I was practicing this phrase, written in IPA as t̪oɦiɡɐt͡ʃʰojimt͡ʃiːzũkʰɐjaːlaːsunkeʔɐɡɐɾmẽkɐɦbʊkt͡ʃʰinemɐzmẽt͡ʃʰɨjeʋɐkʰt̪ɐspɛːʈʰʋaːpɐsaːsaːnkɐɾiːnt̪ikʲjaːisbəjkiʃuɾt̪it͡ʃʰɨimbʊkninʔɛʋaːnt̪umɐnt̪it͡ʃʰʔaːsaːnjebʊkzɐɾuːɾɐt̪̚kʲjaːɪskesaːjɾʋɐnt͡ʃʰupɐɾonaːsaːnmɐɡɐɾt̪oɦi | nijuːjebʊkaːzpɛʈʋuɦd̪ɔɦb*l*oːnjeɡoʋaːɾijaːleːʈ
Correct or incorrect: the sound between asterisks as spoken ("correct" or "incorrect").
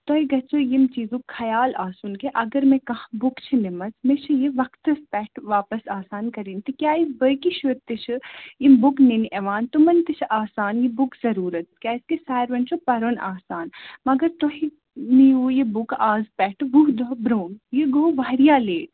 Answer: incorrect